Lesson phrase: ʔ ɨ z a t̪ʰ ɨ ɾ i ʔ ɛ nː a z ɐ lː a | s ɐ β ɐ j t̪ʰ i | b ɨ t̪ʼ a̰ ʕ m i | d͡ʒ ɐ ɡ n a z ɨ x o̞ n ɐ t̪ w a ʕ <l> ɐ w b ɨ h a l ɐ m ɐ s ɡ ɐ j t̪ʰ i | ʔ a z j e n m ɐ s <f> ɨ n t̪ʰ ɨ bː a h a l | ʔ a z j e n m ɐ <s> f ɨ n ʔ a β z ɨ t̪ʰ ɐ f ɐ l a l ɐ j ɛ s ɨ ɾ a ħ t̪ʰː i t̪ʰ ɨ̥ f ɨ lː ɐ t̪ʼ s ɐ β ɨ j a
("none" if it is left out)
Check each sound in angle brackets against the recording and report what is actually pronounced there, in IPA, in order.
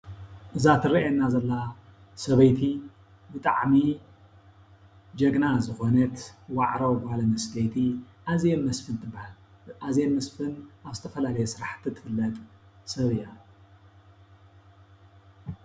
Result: ɾ, f, s

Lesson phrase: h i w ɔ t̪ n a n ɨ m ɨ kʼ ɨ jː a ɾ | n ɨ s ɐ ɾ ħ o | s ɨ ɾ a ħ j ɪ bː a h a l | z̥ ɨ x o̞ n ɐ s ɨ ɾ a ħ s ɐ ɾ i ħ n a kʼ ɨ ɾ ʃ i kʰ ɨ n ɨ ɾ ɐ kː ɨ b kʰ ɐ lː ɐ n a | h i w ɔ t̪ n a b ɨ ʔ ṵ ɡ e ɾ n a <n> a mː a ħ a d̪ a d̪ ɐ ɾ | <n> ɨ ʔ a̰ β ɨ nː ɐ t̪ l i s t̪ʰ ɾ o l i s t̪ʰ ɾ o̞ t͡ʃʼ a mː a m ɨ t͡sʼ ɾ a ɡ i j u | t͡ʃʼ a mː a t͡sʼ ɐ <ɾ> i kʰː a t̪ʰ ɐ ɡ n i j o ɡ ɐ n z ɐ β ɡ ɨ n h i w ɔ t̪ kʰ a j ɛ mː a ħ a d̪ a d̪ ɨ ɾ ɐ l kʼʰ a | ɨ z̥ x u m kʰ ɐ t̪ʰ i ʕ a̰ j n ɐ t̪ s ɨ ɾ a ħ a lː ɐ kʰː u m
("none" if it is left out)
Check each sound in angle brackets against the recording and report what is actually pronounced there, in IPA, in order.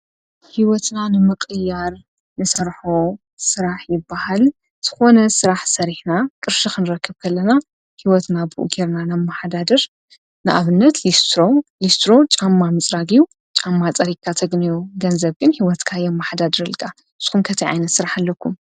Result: n, n, ɾ

